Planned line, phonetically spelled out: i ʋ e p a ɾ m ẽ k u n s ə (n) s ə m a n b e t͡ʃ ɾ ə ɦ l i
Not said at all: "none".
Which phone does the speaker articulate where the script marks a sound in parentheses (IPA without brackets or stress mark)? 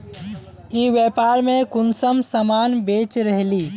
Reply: m